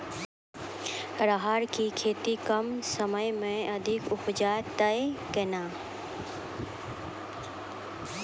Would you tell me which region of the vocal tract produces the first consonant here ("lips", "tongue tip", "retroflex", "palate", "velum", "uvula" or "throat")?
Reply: tongue tip